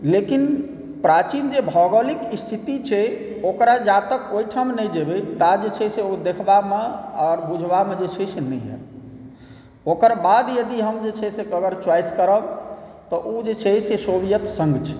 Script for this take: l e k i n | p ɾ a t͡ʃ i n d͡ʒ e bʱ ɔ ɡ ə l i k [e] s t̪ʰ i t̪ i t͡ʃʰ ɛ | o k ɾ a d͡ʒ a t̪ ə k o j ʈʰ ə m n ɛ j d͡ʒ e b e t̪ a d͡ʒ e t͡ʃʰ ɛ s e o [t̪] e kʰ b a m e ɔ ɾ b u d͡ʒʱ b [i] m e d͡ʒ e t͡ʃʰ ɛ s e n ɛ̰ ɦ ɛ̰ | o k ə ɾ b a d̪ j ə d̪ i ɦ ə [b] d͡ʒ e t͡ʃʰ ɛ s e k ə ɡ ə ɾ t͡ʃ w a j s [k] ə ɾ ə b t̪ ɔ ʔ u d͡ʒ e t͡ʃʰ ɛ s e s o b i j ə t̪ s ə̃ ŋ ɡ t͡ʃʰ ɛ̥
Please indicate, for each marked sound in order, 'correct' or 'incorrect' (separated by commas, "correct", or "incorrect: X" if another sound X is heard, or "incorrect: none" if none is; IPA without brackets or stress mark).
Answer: incorrect: i, incorrect: d̪, incorrect: a, incorrect: m, correct